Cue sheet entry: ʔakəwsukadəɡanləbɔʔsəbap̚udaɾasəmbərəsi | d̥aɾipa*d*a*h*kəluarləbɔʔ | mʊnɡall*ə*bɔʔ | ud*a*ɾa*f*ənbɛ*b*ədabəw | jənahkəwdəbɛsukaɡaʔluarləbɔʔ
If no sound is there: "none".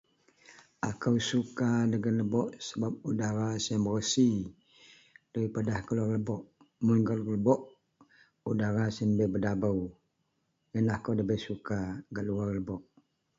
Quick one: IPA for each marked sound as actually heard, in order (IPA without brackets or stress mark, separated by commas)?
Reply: d, h, ə, a, s, b